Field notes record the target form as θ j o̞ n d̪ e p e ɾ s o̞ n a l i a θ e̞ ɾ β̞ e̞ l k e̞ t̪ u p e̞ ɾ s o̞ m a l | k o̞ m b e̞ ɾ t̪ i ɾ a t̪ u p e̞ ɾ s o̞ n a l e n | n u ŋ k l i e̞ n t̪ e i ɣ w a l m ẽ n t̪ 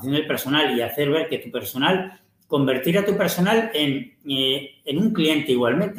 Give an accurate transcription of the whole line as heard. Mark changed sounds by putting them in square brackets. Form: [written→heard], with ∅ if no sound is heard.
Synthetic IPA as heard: θ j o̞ n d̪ e p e ɾ s o̞ n a l i a θ e̞ ɾ β̞ e̞ [l→ɾ] k e̞ t̪ u p e̞ ɾ s o̞ [m→n] a l | k o̞ m b e̞ ɾ t̪ i ɾ a t̪ u p e̞ ɾ s o̞ n a l e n | n u ŋ k l i e̞ n t̪ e i ɣ w a l m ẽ n t̪